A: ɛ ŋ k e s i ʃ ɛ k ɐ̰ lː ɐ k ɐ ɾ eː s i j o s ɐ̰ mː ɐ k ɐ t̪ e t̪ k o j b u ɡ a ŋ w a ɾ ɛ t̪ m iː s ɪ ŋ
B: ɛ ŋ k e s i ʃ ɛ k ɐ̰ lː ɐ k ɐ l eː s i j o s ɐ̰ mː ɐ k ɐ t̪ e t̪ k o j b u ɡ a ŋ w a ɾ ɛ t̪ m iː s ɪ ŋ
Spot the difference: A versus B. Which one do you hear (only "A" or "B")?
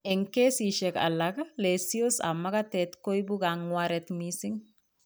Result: B